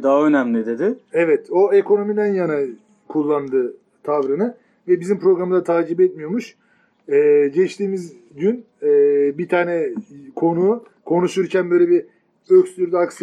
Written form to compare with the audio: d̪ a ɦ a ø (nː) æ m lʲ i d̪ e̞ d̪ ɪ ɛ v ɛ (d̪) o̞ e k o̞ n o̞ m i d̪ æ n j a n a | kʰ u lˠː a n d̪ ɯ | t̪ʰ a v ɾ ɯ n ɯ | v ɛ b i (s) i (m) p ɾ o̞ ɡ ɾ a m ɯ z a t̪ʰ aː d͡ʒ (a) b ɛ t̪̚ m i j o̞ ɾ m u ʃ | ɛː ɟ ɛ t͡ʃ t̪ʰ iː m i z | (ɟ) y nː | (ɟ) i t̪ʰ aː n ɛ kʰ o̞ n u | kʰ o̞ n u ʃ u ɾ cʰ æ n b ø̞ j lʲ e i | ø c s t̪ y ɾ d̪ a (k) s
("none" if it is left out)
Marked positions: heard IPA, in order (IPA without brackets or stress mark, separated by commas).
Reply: n, t̪, z, m, i, ɟ, b, k